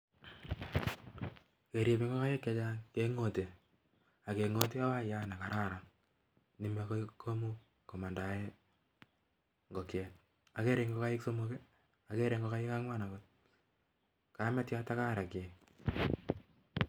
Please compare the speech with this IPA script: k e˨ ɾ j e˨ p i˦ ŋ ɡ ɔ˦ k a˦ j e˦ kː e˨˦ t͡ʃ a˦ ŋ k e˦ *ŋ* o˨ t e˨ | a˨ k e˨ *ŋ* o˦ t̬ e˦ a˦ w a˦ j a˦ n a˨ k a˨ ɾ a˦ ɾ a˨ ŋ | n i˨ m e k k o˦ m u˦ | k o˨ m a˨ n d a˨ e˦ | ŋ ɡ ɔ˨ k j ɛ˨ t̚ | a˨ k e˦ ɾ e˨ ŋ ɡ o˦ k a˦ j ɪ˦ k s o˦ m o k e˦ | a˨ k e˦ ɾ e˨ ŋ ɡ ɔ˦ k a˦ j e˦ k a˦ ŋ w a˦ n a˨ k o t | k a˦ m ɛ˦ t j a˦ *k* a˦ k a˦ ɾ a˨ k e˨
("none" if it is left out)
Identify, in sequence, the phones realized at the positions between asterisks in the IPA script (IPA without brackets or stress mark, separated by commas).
ŋ, ŋ, t